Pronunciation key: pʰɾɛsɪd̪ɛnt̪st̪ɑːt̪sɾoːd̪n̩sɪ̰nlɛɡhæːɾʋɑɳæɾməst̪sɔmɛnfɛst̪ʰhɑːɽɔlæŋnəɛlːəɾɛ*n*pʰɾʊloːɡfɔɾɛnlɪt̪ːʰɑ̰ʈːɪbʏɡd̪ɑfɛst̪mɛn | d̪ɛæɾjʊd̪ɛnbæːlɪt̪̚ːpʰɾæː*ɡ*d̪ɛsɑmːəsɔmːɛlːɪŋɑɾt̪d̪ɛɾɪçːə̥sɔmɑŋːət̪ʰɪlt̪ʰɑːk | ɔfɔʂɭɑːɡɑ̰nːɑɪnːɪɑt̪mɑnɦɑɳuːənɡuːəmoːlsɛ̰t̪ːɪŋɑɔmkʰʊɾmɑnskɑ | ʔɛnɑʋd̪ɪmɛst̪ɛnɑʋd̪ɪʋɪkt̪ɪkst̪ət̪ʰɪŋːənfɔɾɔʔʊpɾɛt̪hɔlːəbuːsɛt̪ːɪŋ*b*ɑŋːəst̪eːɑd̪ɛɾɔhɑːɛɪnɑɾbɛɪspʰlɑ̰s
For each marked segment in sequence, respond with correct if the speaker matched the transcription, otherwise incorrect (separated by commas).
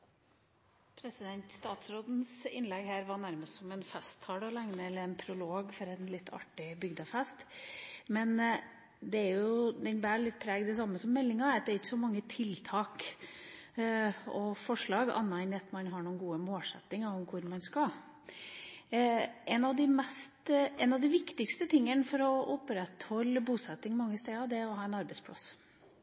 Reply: correct, correct, incorrect